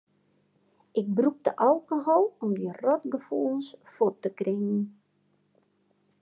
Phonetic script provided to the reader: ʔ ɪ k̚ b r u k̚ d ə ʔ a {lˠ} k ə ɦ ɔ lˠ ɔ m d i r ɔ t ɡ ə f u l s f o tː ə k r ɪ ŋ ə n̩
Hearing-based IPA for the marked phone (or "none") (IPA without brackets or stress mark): lˠ